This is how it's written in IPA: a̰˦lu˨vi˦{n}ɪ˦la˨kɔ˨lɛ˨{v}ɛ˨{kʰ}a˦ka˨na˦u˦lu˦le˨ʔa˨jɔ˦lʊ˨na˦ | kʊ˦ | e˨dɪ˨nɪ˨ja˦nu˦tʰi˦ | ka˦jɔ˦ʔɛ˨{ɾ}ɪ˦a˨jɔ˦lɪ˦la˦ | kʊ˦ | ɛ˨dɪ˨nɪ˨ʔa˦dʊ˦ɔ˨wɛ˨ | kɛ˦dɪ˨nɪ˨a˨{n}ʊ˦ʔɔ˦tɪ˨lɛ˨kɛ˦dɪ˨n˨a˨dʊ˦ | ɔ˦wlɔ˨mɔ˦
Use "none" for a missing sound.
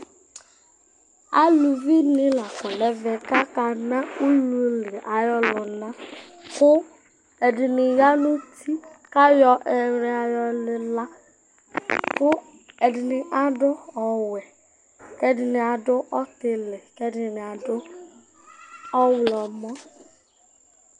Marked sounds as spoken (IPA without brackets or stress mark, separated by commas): n, v, k, ɾ, d